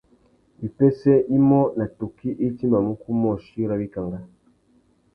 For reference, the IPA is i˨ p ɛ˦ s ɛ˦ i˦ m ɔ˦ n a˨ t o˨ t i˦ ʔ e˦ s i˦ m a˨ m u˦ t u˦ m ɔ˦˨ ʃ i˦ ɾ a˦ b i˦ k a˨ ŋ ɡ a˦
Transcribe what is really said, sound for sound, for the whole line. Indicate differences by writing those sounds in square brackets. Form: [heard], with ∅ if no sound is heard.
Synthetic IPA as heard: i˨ p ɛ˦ s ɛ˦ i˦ m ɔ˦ n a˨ t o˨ [k] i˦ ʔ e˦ [t] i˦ m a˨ m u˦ [k] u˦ m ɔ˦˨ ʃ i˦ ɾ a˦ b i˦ k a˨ ŋ ɡ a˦